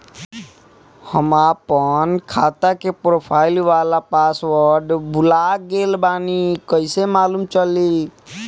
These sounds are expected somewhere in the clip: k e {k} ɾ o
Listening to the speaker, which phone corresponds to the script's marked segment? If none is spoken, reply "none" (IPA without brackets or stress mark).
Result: p